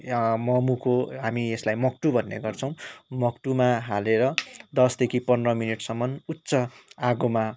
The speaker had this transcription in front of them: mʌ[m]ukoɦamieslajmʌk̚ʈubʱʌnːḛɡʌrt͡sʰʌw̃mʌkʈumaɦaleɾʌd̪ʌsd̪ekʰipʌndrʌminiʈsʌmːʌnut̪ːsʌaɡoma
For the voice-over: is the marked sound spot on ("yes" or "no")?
yes